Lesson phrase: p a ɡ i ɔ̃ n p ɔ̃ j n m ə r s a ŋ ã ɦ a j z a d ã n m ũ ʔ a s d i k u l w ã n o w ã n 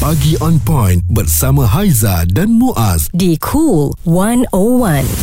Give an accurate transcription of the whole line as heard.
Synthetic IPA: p a ɡ i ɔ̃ n p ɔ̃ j n b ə r s a m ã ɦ a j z a d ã n m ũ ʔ a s d i kʰ u l w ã n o w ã n